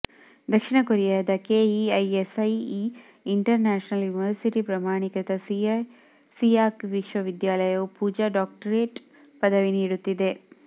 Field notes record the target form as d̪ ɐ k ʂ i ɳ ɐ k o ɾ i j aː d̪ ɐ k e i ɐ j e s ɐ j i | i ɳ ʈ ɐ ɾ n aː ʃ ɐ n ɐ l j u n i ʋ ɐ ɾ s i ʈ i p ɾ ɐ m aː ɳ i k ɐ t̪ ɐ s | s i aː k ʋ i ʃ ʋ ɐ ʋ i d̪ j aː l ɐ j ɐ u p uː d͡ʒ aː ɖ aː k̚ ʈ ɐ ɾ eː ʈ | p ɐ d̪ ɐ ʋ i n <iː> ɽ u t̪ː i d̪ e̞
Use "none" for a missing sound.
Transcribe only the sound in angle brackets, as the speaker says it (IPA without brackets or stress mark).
iː